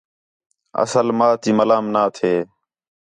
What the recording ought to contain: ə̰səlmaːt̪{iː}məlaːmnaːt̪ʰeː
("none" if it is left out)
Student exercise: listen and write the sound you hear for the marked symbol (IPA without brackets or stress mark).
iː